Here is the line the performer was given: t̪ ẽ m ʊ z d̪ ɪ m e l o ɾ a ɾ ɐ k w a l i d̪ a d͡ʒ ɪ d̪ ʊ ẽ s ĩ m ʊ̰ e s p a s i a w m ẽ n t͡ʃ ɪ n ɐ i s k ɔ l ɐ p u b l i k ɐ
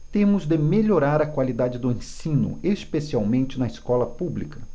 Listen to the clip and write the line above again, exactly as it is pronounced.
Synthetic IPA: t̪ ẽ m ʊ z d̪ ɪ m e ʎ o ɾ a ɾ ɐ k w a l i d̪ a d͡ʒ ɪ d̪ ʊ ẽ s ĩ n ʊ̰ e s p e s i a w m ẽ n t͡ʃ ɪ n ɐ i s k ɔ l ɐ p u b l i k ɐ